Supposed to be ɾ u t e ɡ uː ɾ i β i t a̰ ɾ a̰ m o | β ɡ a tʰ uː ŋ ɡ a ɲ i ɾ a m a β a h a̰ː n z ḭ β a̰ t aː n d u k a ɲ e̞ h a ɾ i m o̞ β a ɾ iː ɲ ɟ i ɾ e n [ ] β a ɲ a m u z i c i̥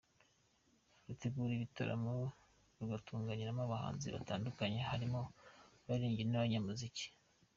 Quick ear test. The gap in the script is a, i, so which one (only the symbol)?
a